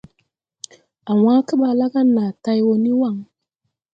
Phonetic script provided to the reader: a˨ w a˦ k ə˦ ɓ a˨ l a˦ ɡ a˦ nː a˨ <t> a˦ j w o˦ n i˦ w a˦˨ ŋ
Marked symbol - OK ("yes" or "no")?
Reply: yes